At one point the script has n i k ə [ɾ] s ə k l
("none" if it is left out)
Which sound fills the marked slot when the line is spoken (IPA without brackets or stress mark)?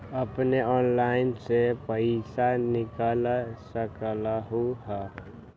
l